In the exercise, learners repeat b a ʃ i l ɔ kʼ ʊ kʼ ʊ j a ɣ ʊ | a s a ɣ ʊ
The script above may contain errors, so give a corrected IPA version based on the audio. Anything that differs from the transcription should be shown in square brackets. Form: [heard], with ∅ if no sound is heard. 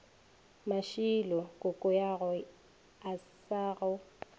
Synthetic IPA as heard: [m] a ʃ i l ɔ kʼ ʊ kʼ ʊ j a ɣ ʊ | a s a ɣ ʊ